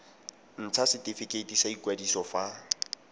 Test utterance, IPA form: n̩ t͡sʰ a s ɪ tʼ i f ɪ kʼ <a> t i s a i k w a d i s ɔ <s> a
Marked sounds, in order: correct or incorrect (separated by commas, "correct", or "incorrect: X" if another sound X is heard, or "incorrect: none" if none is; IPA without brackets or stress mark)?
incorrect: e, incorrect: f